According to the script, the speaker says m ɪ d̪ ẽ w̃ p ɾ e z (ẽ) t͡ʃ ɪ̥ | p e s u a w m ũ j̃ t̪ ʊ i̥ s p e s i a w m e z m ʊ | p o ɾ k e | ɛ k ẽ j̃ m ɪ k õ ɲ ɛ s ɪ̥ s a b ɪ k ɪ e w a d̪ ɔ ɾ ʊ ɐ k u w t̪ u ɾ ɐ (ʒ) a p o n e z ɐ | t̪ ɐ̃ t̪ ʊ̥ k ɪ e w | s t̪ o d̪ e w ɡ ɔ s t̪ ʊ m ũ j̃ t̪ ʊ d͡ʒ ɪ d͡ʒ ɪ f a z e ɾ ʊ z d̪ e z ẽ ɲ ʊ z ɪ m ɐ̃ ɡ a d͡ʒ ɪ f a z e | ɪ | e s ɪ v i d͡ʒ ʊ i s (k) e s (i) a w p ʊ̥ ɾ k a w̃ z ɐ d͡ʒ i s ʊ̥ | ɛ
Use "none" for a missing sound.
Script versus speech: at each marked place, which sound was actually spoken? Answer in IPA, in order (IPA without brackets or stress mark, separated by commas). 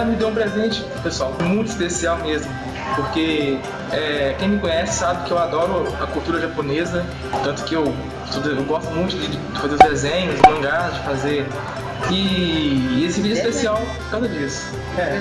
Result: ẽ, ʒ, p, i